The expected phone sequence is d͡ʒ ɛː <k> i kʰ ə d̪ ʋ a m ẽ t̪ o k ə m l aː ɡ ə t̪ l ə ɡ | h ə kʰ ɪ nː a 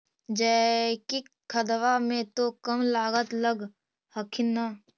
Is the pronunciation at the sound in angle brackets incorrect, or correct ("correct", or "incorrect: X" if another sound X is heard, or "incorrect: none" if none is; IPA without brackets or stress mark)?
correct